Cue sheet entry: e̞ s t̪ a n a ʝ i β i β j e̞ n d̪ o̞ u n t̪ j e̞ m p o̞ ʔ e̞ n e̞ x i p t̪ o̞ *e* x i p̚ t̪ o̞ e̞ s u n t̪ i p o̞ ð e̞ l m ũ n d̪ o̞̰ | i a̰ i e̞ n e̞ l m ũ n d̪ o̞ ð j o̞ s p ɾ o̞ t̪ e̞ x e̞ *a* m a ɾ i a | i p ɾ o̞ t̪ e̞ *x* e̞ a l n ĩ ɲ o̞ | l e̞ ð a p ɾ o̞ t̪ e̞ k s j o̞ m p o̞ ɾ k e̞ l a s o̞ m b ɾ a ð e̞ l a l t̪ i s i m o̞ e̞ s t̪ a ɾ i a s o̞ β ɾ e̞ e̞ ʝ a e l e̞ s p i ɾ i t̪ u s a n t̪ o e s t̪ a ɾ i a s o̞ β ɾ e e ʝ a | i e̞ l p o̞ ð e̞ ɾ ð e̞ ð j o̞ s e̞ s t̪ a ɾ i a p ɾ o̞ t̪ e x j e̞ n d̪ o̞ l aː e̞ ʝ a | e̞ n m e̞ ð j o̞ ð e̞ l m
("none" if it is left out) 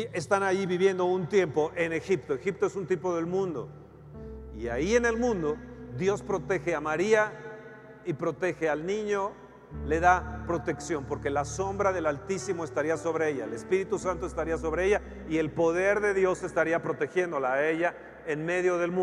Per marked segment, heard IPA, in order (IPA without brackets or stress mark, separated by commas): e, a, x